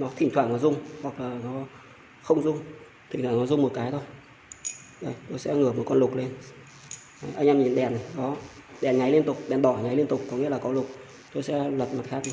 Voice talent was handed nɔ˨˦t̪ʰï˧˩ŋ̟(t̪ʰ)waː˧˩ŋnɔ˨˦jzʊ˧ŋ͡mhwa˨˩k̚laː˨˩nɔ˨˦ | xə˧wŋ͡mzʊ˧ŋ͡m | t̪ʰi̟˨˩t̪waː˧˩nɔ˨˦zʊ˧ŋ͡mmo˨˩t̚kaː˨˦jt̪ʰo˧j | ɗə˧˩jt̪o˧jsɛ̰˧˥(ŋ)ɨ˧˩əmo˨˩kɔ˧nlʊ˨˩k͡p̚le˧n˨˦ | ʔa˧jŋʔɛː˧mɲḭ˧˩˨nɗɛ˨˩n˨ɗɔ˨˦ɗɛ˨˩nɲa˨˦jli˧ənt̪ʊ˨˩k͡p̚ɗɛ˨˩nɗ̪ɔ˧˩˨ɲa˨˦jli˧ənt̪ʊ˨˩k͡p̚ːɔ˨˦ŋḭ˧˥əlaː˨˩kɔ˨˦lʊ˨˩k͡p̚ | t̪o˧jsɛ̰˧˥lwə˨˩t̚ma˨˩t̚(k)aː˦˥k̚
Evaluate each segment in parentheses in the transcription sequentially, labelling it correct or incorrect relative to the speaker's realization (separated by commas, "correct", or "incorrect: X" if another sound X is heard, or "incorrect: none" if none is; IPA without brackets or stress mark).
incorrect: t̪, correct, incorrect: x